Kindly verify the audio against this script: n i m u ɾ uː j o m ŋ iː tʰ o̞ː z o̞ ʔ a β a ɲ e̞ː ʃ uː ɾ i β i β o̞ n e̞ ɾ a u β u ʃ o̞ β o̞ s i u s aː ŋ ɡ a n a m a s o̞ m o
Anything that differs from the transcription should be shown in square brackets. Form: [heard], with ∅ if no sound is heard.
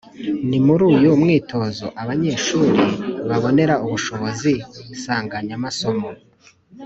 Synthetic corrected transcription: n i m u ɾ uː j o m ŋ iː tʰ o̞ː z o̞ ʔ a β a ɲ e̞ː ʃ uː ɾ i β [a] β o̞ n e̞ ɾ a u β u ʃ o̞ β o̞ [z] i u s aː ŋ ɡ a [ɲ] a m a s o̞ m o